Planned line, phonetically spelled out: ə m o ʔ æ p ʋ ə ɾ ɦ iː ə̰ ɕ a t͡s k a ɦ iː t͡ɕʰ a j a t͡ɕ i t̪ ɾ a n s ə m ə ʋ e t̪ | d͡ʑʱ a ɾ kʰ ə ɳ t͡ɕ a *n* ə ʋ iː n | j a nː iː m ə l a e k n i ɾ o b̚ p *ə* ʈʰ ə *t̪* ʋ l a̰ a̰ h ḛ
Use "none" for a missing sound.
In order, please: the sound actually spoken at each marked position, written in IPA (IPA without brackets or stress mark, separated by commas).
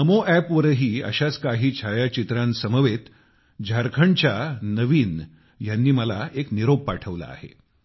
n, a, none